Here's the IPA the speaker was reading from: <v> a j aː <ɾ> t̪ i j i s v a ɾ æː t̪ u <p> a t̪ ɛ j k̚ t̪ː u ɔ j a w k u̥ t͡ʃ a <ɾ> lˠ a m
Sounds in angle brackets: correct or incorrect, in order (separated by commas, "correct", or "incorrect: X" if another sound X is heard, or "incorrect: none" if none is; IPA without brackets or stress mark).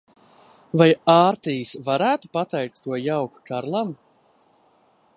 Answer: correct, correct, correct, correct